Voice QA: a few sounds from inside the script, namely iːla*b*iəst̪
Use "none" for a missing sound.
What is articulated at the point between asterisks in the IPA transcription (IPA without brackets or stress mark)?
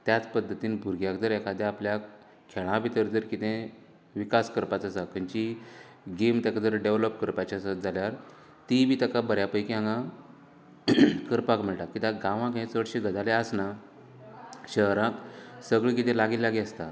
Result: ɡ